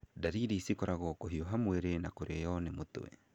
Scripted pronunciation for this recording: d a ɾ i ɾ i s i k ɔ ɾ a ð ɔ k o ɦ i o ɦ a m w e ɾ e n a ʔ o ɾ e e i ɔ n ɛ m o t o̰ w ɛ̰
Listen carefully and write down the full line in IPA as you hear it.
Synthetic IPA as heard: d a ɾ i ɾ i s i k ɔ ɾ a ɣ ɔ k o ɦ i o ɦ a m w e ɾ e n a k o ɾ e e j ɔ n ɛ m o t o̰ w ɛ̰